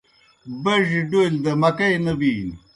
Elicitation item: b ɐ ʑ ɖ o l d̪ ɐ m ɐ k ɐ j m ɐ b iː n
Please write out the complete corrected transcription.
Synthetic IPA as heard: b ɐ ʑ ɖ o l d̪ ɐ m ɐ k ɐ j n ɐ b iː n